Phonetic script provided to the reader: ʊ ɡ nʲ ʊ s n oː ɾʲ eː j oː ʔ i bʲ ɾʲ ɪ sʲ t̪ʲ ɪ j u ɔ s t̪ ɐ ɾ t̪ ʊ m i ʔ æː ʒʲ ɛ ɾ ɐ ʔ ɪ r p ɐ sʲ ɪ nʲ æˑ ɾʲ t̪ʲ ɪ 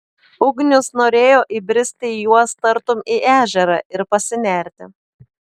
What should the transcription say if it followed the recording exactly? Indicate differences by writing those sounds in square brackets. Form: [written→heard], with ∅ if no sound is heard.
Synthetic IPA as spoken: ʊ ɡ nʲ ʊ s n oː ɾʲ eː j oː ʔ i bʲ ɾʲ ɪ sʲ t̪ʲ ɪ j u ɔ s t̪ ɐ ɾ t̪ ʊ m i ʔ æː ʒʲ ɛ ɾ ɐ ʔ ɪ [r→ɾ] p ɐ sʲ ɪ nʲ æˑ ɾʲ t̪ʲ ɪ